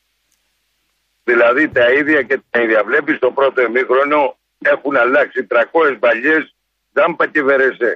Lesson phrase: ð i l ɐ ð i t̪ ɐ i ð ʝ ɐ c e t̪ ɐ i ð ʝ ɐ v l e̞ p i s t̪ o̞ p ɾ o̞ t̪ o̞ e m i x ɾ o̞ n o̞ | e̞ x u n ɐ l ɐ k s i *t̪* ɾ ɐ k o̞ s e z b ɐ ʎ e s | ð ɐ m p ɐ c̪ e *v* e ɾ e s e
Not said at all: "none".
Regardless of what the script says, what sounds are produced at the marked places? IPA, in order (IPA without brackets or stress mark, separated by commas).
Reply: t̪, v